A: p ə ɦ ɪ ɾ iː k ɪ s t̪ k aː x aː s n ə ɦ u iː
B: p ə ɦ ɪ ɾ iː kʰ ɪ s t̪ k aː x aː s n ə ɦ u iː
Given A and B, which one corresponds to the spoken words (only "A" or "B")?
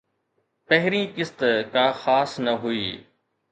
A